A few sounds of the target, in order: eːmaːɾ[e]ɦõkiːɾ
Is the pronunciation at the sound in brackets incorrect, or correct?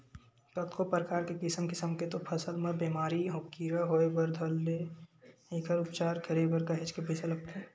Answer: incorrect